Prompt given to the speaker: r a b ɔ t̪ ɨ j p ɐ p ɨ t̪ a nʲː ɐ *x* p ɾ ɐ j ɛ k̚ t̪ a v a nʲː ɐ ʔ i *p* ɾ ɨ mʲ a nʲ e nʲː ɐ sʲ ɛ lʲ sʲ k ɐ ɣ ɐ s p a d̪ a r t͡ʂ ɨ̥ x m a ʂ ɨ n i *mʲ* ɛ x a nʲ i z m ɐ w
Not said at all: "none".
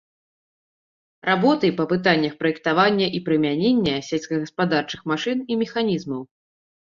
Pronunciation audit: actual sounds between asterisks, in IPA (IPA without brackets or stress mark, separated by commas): x, p, mʲ